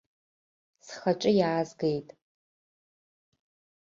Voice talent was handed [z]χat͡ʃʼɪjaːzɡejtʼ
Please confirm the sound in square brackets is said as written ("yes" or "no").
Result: no